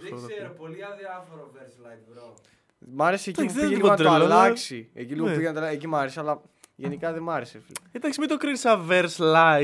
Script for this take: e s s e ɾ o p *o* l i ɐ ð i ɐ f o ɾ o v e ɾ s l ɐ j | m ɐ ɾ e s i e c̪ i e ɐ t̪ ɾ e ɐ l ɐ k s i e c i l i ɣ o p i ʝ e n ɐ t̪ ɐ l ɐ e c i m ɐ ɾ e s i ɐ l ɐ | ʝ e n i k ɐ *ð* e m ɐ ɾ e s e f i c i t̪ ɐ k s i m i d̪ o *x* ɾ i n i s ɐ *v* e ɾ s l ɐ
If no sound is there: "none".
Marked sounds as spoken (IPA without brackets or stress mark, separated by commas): o, ð, k, v